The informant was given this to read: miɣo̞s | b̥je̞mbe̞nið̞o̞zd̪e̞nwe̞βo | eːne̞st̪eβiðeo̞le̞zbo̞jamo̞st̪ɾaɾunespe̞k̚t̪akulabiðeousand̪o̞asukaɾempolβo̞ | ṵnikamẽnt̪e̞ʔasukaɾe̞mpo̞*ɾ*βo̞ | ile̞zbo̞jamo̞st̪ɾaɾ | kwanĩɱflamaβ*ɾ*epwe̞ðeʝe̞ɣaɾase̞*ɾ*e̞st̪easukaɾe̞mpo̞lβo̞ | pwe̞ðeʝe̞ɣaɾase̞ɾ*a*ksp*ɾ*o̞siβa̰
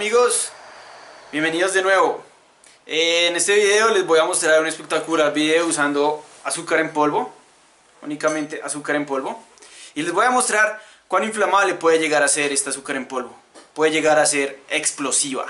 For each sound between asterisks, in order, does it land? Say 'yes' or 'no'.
no, no, yes, no, no

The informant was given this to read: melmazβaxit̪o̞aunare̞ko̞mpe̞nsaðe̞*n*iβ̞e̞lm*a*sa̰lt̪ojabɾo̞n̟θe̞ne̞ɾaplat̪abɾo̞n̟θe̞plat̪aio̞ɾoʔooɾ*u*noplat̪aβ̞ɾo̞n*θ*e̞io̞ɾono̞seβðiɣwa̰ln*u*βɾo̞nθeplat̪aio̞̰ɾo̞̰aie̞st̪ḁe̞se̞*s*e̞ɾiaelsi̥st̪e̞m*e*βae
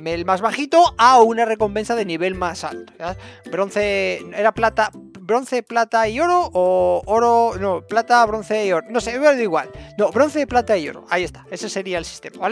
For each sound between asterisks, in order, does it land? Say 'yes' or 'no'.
yes, yes, no, yes, no, yes, no

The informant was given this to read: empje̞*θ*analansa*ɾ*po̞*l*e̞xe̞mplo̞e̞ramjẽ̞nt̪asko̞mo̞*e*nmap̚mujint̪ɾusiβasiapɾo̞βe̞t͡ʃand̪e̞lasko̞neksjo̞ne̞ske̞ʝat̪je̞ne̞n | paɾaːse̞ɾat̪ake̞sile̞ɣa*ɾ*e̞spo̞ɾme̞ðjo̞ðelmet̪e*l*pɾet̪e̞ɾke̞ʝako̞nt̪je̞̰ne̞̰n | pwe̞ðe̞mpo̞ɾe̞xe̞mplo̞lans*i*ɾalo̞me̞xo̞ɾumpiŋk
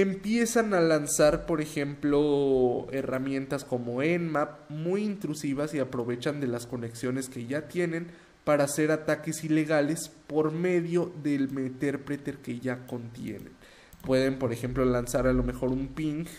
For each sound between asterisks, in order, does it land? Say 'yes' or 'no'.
no, yes, no, yes, no, no, no

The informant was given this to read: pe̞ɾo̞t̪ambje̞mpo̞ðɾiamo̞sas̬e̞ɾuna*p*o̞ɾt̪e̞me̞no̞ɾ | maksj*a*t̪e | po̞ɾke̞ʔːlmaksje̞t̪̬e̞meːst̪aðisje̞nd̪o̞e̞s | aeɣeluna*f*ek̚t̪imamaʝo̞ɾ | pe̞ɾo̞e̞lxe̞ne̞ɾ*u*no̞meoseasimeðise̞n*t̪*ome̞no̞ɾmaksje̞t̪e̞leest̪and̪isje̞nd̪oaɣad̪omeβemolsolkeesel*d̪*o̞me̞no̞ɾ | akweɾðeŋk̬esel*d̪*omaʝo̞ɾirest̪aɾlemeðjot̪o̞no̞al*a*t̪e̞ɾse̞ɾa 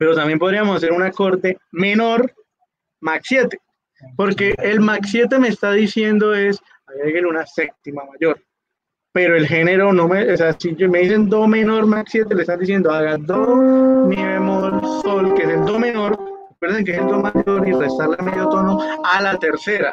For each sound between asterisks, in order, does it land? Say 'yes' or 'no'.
no, no, no, no, no, yes, yes, yes

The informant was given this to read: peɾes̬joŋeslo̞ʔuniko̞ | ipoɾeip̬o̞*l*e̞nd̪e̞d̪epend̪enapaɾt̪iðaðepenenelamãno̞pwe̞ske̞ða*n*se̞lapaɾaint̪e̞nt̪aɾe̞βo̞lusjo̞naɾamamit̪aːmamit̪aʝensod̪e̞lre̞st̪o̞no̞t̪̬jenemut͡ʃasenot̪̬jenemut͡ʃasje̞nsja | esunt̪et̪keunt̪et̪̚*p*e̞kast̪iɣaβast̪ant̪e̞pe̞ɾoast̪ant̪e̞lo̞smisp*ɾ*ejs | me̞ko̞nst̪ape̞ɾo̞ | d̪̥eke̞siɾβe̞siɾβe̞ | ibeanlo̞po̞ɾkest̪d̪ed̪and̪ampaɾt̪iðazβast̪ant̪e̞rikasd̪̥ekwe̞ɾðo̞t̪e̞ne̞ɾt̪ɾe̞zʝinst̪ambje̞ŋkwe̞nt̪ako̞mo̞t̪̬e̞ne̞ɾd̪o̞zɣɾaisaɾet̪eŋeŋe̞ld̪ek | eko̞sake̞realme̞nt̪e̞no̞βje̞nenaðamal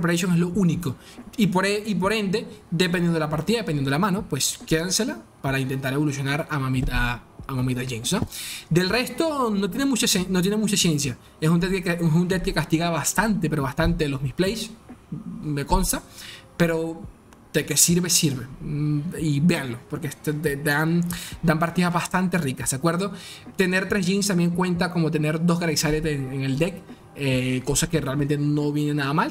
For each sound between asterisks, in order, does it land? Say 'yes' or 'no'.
no, yes, no, no

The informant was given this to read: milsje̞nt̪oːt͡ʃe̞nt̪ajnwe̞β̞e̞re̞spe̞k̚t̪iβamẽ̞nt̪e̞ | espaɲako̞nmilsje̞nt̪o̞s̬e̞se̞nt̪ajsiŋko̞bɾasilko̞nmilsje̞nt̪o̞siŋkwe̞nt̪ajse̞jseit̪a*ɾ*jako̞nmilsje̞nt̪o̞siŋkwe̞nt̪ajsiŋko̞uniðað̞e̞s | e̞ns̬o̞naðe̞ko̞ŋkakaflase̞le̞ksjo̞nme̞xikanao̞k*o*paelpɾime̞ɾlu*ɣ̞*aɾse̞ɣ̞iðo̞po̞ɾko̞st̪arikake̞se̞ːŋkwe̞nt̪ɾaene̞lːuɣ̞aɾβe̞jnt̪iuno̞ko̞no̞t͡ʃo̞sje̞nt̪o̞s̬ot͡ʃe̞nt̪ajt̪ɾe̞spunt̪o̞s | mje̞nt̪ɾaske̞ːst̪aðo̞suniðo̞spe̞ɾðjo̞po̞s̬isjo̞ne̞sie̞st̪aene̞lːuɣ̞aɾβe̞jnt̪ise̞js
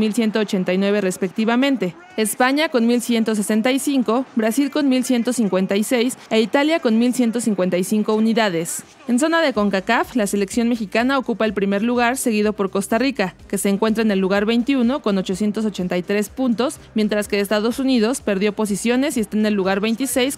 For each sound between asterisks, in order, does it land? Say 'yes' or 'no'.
no, no, yes

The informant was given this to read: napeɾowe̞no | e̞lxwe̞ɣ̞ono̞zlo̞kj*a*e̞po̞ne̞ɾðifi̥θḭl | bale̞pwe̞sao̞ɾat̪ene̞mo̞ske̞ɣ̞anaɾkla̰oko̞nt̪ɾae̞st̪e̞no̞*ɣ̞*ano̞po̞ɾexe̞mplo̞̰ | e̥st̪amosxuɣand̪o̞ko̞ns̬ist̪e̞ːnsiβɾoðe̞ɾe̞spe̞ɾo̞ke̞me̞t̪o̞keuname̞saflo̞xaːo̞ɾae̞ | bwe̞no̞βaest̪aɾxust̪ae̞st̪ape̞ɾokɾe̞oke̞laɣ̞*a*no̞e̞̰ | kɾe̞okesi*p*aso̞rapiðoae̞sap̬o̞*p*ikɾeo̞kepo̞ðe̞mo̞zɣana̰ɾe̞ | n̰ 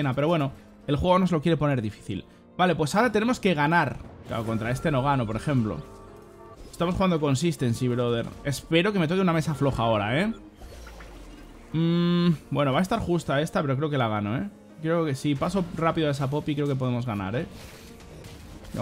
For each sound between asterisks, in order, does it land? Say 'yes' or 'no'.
no, yes, yes, yes, yes

